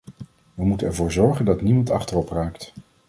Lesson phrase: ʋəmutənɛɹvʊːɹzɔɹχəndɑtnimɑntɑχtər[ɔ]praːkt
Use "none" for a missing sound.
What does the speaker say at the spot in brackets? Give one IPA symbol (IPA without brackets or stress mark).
ɔ